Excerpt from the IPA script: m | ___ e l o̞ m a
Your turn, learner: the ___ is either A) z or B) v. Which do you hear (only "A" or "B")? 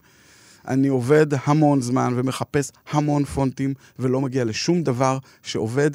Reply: B